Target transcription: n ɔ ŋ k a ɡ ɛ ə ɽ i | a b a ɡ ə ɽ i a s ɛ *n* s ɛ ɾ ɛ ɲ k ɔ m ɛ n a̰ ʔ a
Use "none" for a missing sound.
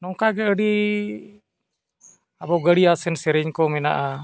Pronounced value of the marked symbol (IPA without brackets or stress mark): n